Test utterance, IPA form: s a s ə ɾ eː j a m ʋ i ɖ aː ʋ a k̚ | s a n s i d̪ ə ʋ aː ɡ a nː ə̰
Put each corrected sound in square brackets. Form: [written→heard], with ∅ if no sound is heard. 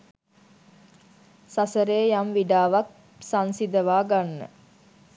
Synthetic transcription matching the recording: s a s ə ɾ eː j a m ʋ i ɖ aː ʋ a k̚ | s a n s i d̪ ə ʋ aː ɡ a nː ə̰